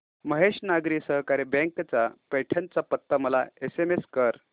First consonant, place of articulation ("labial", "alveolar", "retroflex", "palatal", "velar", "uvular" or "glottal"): labial